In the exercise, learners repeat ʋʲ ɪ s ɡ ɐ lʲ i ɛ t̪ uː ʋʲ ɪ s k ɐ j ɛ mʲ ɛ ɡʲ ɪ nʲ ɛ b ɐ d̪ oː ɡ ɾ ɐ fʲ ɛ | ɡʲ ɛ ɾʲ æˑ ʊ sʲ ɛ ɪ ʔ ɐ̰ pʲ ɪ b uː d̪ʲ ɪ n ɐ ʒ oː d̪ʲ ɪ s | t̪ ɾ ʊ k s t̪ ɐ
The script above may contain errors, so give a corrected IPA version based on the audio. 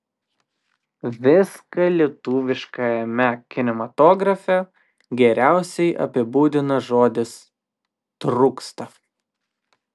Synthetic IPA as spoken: ʋʲ ɪ s k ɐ lʲ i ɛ t̪ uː ʋʲ ɪ ʃ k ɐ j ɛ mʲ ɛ kʲ ɪ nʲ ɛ m ɐ t̪ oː ɡ ɾ ɐ fʲ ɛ | ɡʲ ɛ ɾʲ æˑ ʊ sʲ ɛ ɪ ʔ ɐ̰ pʲ ɪ b uː d̪ʲ ɪ n ɐ ʒ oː d̪ʲ ɪ s | t̪ ɾ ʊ k s t̪ ɐ